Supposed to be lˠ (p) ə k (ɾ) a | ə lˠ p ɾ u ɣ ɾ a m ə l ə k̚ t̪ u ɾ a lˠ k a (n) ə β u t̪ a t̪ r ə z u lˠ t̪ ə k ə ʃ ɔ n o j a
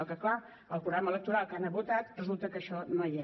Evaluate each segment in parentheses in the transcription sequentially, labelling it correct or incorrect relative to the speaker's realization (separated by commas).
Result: incorrect, incorrect, correct